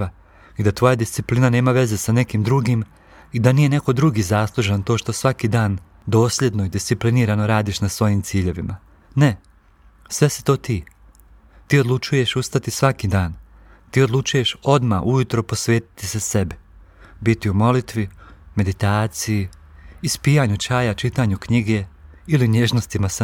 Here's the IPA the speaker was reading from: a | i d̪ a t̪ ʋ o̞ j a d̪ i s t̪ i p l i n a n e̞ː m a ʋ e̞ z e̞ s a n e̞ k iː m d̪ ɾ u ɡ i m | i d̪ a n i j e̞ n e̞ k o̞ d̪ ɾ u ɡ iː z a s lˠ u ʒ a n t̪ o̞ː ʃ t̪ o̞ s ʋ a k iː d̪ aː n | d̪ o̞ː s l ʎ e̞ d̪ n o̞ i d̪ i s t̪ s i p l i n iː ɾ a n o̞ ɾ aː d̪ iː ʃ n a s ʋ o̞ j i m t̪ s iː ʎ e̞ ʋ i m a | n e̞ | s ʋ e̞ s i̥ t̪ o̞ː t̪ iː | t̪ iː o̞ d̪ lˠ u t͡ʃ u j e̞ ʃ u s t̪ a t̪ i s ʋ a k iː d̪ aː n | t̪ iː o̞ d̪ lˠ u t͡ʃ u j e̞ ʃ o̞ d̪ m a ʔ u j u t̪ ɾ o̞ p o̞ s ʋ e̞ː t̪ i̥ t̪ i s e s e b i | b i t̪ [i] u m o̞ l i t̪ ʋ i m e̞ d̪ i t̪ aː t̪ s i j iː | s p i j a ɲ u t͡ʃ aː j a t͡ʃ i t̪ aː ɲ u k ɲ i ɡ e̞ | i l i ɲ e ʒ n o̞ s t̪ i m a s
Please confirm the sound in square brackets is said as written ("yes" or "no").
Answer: yes